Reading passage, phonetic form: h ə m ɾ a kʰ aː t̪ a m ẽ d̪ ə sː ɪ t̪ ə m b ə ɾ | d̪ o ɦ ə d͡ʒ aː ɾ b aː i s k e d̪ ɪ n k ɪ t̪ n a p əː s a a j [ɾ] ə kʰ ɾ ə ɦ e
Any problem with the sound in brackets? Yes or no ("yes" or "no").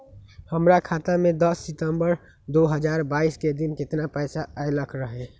yes